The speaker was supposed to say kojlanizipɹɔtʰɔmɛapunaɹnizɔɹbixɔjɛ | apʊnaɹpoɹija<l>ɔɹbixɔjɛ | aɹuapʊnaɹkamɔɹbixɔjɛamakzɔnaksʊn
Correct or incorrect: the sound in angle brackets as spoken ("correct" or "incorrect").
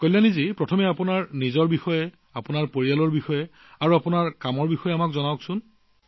correct